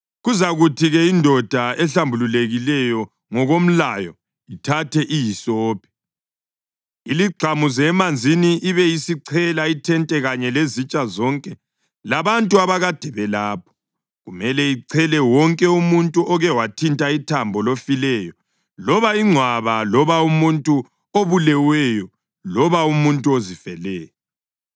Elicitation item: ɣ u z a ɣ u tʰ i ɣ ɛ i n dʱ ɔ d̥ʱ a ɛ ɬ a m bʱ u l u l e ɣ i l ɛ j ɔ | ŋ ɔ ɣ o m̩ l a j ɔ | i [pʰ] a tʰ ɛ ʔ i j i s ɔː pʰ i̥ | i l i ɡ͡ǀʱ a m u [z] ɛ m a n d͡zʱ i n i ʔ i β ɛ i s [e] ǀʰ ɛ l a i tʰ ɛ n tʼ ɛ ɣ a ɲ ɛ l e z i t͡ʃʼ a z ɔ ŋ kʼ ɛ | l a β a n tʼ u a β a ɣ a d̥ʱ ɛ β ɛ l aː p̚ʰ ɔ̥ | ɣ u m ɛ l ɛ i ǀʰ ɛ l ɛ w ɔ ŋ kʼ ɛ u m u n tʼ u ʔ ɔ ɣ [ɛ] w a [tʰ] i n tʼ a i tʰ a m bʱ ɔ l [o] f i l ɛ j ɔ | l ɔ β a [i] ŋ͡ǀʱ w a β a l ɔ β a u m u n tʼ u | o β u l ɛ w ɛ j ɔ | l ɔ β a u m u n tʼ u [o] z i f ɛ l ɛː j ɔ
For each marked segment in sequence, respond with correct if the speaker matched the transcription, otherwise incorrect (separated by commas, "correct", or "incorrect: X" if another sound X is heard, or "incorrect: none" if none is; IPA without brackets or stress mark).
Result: incorrect: tʰ, correct, incorrect: i, correct, correct, correct, correct, correct